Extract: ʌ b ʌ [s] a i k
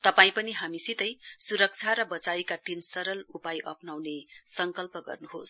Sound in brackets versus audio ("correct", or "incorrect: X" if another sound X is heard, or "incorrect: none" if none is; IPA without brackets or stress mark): incorrect: t͡s